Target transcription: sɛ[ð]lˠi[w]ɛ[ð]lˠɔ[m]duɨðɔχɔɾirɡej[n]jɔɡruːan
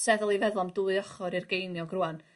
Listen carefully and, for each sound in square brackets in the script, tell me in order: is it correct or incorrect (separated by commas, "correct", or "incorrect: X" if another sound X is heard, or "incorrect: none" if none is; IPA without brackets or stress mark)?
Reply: correct, incorrect: v, correct, correct, correct